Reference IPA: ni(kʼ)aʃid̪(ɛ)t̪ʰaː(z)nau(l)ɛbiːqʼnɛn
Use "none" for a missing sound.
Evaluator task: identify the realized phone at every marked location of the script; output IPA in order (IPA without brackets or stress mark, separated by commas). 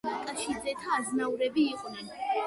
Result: kʼ, ɛ, z, ɾ